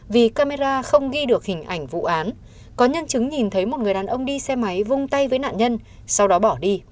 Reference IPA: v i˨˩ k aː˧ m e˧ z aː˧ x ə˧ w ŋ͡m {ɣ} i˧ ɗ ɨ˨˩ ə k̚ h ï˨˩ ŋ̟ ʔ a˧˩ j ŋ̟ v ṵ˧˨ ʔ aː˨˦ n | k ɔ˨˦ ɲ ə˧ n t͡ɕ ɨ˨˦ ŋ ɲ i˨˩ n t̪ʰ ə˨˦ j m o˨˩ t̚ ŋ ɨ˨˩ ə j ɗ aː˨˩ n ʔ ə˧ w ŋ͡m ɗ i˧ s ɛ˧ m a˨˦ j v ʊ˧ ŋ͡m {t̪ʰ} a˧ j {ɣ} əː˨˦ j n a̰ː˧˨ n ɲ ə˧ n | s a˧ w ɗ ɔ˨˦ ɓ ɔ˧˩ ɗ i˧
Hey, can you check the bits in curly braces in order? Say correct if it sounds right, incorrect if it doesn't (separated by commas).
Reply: correct, incorrect, incorrect